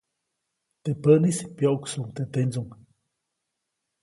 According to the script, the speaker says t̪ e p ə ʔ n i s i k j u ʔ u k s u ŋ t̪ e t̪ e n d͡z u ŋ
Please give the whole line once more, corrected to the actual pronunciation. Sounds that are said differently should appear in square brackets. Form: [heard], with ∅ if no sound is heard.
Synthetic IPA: t̪ e p ə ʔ n i s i [p] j [o] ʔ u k s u ŋ t̪ e t̪ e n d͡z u ŋ